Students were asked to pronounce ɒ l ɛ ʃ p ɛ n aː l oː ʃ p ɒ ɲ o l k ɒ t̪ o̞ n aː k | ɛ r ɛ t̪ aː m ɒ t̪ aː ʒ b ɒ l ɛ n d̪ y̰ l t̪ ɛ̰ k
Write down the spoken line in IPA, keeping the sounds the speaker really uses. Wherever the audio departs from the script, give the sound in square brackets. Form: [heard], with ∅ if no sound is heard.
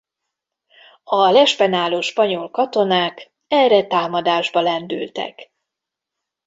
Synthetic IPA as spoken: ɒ l ɛ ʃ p ɛ n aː l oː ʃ p ɒ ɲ o l k ɒ t̪ o̞ n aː k | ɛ r ɛ t̪ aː m ɒ [d̪] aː ʒ b ɒ l ɛ n d̪ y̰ l t̪ ɛ̰ k